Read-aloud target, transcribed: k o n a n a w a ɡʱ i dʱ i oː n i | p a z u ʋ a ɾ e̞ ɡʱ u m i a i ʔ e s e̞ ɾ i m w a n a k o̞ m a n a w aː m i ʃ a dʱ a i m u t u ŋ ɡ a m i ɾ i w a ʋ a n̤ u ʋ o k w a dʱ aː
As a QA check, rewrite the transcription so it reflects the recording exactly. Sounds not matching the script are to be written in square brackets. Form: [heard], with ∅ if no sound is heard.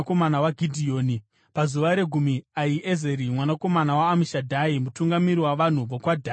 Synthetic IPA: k o [m] a n a w a ɡʱ i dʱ i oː n i | p a z u ʋ a ɾ e̞ ɡʱ u m i a i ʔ e [z] e̞ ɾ i m w a n a k o̞ m a n a w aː m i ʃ a dʱ a i m u t u ŋ ɡ a m i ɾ i w a ʋ a n̤ u ʋ o k w a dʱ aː